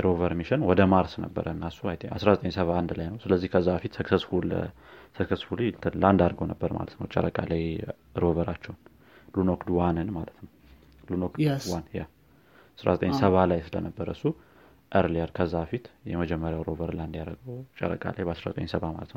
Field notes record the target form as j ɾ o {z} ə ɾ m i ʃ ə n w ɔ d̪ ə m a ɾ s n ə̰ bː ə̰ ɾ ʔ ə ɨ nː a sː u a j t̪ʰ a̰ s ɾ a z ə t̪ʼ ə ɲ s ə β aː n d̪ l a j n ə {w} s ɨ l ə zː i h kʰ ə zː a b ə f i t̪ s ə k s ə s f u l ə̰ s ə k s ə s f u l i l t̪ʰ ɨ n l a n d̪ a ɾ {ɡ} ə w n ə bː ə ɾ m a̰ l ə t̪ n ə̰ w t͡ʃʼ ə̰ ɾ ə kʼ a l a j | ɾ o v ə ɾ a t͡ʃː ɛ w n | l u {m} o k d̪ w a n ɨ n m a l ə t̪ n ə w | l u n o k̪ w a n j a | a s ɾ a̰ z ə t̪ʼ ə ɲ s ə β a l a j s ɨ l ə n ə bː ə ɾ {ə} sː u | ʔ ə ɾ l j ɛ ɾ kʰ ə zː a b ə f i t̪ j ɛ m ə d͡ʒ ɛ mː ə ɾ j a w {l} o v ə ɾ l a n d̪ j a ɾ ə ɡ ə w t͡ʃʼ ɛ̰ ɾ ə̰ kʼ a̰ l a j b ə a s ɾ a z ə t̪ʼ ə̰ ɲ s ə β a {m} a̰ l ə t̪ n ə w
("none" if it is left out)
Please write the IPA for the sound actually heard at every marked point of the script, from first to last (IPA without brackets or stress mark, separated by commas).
v, w, ɡ, n, ə, ɾ, m